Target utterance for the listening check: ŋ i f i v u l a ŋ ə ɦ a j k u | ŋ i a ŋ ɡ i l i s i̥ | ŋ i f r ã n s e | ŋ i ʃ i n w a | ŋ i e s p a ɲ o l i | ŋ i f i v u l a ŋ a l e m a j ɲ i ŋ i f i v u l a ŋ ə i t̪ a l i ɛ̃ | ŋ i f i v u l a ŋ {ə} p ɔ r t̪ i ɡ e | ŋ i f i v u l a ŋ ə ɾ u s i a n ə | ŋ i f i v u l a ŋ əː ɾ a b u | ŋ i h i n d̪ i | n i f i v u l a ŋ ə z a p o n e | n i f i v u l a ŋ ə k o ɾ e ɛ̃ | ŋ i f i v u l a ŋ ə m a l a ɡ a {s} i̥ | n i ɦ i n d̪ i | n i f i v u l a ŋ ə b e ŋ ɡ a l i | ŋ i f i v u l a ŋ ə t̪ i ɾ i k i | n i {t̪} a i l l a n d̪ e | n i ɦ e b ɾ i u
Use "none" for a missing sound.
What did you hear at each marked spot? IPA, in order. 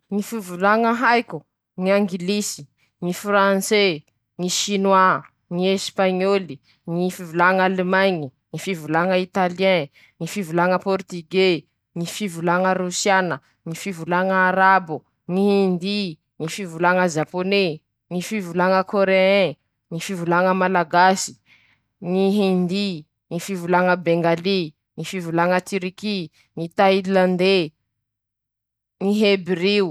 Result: ə, s, t̪

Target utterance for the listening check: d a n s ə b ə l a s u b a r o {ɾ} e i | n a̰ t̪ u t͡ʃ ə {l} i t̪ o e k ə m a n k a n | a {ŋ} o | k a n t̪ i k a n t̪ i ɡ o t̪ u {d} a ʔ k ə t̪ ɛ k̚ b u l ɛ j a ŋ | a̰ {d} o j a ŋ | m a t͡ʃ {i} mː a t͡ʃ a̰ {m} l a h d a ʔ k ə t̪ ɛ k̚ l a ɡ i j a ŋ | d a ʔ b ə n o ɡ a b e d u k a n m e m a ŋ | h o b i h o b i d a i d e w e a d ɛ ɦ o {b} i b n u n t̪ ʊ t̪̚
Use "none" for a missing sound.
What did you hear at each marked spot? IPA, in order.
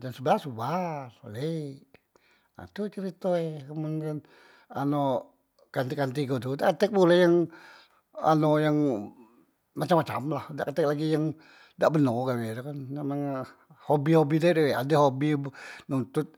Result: l, ɾ, n, d, n, a, m, b

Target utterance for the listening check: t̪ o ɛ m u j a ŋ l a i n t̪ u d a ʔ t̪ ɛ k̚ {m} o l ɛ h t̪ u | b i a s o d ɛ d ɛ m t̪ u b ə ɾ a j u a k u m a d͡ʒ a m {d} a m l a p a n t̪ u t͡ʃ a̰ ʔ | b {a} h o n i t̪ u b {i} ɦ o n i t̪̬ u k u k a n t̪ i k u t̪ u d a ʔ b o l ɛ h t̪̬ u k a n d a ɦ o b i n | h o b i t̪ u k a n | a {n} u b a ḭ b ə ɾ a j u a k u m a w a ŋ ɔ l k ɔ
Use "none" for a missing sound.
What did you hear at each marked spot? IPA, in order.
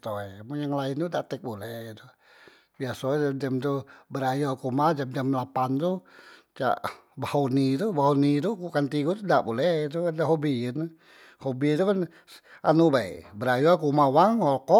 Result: b, d͡ʒ, a, a, n

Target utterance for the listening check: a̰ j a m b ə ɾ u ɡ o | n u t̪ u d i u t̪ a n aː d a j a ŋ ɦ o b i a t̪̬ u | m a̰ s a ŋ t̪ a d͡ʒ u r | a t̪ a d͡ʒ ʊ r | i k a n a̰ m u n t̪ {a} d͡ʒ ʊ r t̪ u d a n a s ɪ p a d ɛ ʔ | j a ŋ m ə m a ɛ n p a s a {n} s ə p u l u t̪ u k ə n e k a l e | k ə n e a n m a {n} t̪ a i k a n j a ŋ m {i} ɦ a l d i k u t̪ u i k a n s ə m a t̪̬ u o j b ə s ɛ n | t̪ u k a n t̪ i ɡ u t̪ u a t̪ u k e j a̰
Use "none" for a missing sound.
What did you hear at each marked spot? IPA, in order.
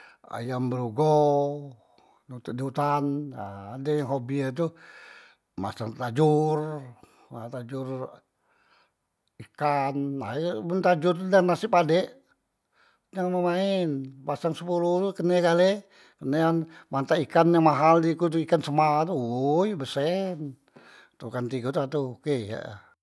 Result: a, ŋ, n, a

